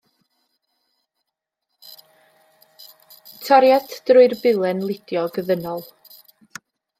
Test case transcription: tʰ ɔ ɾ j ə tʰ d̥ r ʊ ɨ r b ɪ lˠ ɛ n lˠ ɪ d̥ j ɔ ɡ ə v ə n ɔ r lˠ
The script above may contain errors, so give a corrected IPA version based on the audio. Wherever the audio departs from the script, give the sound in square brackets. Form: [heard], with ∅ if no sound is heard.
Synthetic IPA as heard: tʰ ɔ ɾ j [a] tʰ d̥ r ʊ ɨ r b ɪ lˠ ɛ n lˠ ɪ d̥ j ɔ ɡ ə [ð] ə n ɔ [∅] lˠ